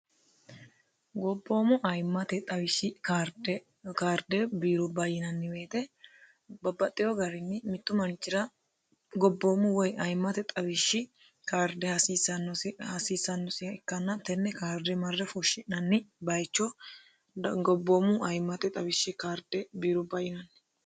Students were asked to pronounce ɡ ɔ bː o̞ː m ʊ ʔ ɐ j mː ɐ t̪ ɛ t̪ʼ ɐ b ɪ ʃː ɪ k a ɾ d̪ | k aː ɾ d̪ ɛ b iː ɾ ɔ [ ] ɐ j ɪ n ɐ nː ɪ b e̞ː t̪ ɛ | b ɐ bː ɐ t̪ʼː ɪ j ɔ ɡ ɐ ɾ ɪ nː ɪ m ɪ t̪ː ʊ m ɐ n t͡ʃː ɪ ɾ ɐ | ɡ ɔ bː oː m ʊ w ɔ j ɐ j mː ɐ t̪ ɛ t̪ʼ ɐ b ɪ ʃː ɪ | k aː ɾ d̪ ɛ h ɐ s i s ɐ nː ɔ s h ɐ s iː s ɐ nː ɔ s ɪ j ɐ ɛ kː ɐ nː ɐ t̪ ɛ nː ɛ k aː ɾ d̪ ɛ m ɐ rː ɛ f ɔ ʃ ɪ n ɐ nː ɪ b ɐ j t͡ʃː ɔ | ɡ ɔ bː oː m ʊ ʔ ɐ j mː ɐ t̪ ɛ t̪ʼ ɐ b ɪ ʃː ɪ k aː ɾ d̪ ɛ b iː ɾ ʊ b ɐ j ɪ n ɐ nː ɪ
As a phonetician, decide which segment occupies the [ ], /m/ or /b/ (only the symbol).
b